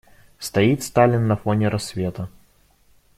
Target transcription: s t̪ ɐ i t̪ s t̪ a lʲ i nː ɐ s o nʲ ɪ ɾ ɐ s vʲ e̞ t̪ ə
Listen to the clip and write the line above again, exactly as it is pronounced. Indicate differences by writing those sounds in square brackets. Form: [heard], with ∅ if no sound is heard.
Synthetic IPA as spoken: s t̪ ɐ i t̪ s t̪ a lʲ [ɪ] nː ɐ [f] o nʲ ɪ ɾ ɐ s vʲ e̞ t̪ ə